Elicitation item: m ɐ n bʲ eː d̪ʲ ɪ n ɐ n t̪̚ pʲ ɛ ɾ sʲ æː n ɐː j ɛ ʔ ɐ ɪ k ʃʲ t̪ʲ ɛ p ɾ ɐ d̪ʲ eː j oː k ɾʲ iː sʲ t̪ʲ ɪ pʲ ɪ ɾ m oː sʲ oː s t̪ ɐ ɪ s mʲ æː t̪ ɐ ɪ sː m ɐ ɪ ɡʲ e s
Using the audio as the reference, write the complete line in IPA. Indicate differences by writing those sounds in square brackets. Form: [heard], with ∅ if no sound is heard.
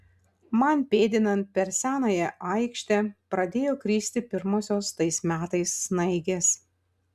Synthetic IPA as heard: m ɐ n [pʲ] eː d̪ʲ ɪ n ɐ n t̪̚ pʲ ɛ ɾ sʲ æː n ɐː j ɛ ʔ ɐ ɪ k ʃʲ t̪ʲ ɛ p ɾ ɐ d̪ʲ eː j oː k ɾʲ iː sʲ t̪ʲ ɪ pʲ ɪ ɾ m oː sʲ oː s t̪ ɐ ɪ s mʲ æː t̪ ɐ ɪ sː [n] ɐ ɪ ɡʲ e s